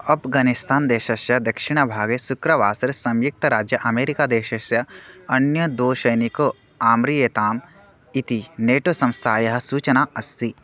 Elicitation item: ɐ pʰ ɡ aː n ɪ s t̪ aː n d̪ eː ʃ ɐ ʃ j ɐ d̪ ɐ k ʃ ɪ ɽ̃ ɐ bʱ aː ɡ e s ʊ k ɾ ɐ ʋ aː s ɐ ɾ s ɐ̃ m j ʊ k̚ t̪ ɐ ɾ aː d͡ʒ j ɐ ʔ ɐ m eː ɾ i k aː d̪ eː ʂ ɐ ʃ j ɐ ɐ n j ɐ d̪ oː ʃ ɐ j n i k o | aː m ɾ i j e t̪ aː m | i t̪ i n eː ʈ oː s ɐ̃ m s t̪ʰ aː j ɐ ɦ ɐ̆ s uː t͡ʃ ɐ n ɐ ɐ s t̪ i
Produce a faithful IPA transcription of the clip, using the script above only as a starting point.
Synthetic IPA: ɐ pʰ ɡ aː n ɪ s t̪ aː n d̪ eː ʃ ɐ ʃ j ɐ d̪ ɐ k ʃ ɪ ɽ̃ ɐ bʱ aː ɡ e s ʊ k ɾ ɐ ʋ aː s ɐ ɾ s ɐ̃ m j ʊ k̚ t̪ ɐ ɾ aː d͡ʒ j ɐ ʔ ɐ m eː ɾ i k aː d̪ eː ʃ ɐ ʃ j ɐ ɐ n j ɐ d̪ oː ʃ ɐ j n i k o | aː m ɾ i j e t̪ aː m | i t̪ i n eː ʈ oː s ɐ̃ m s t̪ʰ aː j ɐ ɦ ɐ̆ s uː t͡ʃ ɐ n a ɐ s t̪ i